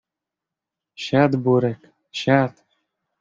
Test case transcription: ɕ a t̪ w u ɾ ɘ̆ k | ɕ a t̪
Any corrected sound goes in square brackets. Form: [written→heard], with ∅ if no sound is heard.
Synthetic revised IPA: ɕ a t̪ [w→b] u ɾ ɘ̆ k | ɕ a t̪